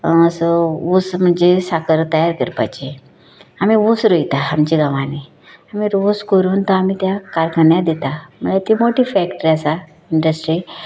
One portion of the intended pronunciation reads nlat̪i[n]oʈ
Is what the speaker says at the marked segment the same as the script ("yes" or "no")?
no